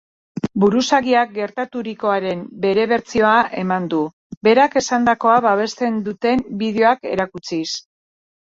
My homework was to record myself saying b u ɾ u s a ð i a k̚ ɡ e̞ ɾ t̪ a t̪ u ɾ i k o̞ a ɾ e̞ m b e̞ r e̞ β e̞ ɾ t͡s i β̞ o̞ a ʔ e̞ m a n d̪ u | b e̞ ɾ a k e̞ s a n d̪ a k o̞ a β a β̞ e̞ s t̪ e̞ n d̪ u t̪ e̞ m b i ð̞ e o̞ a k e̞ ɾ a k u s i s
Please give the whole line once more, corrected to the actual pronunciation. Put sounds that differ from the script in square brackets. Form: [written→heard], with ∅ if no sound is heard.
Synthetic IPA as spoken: b u ɾ u s a [ð→ɣ] i a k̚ ɡ e̞ ɾ t̪ a t̪ u ɾ i k o̞ a ɾ e̞ m b e̞ [r→ɾ] e̞ β e̞ ɾ t͡s i [β̞→∅] o̞ a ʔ e̞ m a n d̪ u | b e̞ ɾ a k e̞ s a n d̪ a k o̞ a β a β̞ e̞ s t̪ e̞ n d̪ u t̪ e̞ m b i ð̞ e o̞ a k e̞ ɾ a k u [s→t͡s] i s